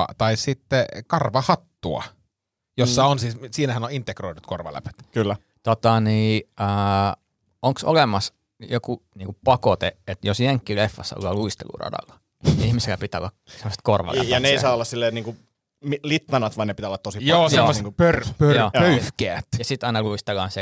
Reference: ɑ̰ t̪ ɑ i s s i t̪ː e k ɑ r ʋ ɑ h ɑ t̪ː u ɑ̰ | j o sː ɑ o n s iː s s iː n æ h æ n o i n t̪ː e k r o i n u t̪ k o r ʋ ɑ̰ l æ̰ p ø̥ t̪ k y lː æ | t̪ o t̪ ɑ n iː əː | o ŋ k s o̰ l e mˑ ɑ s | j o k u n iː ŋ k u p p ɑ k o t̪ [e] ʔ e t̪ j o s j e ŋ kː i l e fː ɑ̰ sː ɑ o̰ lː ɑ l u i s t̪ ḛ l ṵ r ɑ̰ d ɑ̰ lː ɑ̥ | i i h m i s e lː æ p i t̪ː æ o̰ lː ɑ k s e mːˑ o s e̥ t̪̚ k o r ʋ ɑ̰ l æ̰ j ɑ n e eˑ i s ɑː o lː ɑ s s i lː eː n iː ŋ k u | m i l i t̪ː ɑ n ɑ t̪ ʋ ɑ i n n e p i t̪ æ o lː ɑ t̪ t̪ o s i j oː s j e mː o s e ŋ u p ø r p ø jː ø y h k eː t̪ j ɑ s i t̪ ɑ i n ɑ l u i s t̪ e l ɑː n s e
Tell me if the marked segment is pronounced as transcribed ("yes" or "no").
yes